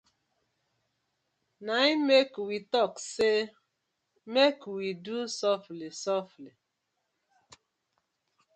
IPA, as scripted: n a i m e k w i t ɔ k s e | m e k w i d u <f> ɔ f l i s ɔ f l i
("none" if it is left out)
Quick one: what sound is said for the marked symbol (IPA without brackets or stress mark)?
s